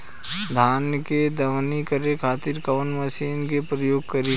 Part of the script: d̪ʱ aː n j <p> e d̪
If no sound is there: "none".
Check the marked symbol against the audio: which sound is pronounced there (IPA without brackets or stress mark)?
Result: k